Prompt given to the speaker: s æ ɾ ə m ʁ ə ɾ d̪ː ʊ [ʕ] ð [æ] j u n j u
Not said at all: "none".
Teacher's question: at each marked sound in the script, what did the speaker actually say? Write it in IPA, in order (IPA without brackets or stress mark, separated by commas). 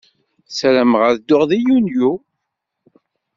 ʁ, i